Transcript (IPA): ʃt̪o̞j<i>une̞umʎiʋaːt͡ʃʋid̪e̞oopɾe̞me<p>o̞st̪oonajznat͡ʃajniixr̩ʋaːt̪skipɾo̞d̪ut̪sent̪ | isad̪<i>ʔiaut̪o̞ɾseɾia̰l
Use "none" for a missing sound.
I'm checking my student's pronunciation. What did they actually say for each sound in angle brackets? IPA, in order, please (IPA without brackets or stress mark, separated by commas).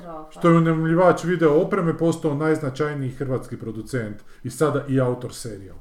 e, p, a